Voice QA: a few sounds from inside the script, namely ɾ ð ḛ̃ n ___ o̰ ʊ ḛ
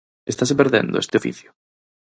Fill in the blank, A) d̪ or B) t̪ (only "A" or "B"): A